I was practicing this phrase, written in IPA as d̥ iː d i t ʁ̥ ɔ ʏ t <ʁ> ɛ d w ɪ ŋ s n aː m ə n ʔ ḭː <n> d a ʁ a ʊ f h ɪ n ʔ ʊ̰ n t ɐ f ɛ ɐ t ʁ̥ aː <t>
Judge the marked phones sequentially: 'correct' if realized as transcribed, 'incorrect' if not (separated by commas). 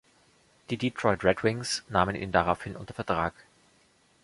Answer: correct, correct, incorrect